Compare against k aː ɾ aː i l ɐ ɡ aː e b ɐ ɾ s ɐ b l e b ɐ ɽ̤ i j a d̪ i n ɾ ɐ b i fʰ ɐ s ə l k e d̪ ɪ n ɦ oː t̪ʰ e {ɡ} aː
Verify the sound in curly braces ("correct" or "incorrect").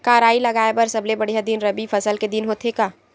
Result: incorrect